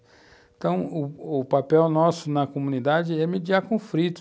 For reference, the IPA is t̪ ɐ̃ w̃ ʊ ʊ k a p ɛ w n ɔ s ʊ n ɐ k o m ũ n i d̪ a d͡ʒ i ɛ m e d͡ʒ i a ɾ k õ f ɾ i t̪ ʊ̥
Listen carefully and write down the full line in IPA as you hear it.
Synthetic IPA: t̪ ɐ̃ w̃ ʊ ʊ p a p ɛ w n ɔ s ʊ n ɐ k o m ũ n i d̪ a d͡ʒ ɪ ɛ m e d͡ʒ i a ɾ k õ f ɾ i t̪ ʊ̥